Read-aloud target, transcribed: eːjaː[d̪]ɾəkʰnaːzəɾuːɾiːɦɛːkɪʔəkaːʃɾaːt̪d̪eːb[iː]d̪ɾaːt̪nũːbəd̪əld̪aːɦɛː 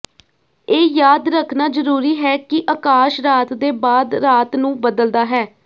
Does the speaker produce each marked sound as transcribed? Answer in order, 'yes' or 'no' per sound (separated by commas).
yes, no